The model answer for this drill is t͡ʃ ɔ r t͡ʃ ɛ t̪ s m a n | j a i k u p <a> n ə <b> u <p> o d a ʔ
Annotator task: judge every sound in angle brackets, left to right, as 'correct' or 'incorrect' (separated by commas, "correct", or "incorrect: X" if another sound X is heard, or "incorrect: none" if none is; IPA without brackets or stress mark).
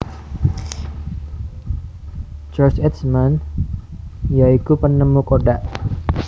incorrect: ə, incorrect: m, incorrect: k